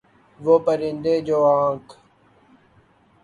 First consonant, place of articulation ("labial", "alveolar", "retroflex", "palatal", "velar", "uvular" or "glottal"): labial